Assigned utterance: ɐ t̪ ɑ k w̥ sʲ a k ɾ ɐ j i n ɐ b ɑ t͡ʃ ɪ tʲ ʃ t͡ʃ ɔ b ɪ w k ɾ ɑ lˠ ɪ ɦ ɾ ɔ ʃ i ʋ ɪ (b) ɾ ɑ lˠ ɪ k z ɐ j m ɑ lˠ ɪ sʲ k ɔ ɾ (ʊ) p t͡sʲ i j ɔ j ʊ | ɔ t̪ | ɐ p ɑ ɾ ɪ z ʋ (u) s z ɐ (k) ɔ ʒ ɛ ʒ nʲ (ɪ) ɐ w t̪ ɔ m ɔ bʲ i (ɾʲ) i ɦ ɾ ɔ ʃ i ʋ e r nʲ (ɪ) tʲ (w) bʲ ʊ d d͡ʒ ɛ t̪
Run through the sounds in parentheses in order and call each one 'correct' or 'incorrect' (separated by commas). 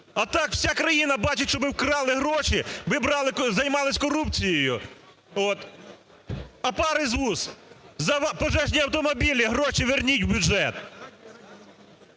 correct, incorrect, correct, incorrect, incorrect, incorrect, incorrect, correct